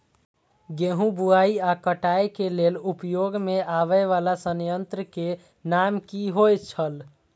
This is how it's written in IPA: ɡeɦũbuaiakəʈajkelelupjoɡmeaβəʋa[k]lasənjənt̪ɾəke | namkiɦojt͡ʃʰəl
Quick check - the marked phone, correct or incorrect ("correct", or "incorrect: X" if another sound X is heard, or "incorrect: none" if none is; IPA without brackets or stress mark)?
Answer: incorrect: none